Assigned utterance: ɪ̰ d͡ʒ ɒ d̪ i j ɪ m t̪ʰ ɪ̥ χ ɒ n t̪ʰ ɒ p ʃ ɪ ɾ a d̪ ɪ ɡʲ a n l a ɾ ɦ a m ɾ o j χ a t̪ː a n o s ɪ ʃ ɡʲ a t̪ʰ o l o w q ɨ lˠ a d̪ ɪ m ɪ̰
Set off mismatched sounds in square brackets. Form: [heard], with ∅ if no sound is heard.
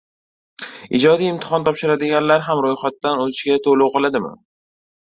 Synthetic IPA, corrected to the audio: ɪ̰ d͡ʒ ɒ d̪ i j ɪ m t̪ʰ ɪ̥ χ ɒ n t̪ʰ ɒ p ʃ ɪ ɾ a d̪ ɪ ɡʲ a n l a ɾ ɦ a m ɾ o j χ a t̪ː a n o [z] ɪ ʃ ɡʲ a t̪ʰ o l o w q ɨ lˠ a d̪ ɪ m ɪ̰